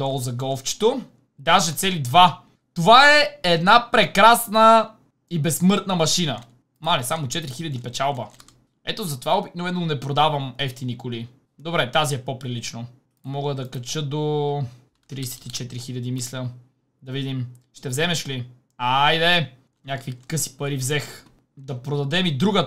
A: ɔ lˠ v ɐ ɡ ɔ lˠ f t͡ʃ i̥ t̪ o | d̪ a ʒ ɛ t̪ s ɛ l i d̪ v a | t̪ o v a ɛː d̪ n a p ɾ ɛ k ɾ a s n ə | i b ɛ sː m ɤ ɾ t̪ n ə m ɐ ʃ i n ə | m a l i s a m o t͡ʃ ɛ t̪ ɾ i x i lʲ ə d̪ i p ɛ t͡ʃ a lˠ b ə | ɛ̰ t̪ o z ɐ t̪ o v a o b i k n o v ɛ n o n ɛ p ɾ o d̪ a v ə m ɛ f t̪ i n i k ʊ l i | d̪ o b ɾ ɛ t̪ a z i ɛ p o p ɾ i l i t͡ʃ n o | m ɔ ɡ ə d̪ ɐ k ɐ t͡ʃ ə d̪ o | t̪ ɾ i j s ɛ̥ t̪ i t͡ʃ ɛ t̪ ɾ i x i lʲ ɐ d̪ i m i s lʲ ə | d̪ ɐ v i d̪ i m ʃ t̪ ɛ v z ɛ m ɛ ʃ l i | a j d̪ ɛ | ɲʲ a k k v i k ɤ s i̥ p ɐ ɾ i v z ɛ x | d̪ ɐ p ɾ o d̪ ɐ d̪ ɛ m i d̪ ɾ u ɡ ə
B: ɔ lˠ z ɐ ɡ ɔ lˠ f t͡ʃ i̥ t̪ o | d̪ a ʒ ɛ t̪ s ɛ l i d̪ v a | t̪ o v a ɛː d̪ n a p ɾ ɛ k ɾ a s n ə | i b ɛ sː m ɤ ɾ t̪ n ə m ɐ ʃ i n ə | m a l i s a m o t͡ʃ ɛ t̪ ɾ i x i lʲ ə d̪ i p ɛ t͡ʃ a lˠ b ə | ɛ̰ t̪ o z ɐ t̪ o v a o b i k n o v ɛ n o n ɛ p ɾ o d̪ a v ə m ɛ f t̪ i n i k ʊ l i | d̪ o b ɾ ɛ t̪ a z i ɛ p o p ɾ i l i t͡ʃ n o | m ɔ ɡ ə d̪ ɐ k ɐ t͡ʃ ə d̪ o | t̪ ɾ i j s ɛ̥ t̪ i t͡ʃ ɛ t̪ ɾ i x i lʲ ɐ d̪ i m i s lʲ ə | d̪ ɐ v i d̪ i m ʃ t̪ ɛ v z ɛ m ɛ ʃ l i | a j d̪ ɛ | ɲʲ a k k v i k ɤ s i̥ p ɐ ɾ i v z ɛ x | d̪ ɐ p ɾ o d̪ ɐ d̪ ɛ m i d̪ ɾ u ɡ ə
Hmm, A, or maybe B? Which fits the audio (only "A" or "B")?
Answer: B